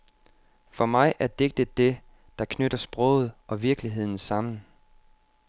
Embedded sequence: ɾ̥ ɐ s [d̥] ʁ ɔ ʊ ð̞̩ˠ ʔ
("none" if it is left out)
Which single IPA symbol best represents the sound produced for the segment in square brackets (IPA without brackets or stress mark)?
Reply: b̥